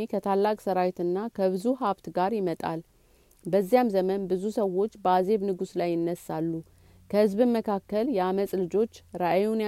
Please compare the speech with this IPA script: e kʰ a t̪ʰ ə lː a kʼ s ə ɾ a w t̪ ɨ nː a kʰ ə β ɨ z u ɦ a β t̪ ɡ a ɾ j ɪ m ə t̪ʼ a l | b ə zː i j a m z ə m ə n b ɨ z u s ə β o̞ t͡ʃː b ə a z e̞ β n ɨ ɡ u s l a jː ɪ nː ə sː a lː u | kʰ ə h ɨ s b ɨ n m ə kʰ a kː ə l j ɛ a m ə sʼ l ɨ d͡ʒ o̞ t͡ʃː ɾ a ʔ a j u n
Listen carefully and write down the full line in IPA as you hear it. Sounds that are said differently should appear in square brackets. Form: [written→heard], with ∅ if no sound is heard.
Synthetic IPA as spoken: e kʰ [a→ə] t̪ʰ [ə→a] lː a kʼ s ə ɾ a w t̪ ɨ nː a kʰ ə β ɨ z u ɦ a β t̪ ɡ a ɾ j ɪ m ə t̪ʼ a l | b ə zː i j a m z ə m ə n b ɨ z u s ə [β→w] o̞ t͡ʃː b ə a z e̞ β n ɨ ɡ u s l a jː ɪ nː ə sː a lː u | kʰ ə h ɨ [s→z] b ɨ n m ə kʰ a kː ə l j ɛ a m ə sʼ l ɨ d͡ʒ o̞ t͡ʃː ɾ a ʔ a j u n